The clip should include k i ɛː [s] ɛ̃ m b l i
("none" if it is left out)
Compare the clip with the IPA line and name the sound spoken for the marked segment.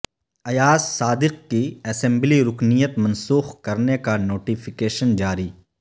s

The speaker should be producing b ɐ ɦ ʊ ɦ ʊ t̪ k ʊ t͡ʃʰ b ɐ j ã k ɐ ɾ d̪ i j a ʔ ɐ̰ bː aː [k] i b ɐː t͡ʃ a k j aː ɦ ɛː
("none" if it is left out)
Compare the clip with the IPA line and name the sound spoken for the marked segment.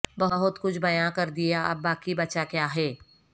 k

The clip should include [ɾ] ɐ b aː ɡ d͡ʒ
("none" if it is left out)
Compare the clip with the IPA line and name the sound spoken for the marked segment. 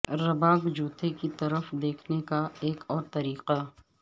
ɾ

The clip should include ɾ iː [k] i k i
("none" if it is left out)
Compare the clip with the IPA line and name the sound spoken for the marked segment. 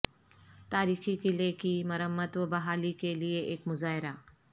x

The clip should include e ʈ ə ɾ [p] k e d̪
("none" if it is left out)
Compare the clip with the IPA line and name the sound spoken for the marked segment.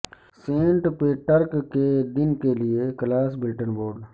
k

